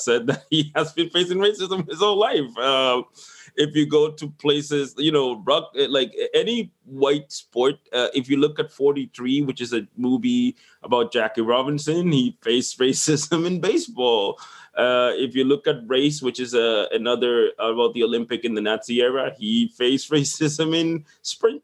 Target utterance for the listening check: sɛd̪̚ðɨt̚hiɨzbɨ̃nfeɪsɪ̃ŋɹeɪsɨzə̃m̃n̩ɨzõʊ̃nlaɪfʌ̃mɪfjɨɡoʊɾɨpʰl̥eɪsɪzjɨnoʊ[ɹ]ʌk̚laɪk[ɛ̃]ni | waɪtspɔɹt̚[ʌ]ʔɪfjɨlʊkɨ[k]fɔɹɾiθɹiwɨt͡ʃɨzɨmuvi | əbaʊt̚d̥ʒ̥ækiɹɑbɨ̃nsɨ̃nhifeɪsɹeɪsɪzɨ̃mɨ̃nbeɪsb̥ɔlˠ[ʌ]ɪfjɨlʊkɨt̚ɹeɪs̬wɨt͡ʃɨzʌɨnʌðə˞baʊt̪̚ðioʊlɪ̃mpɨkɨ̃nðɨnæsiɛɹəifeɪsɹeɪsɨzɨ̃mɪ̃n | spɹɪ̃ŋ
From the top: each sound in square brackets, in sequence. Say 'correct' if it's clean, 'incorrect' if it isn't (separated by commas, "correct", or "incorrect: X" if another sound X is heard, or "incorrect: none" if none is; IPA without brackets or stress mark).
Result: correct, incorrect: ɛ, correct, incorrect: t, correct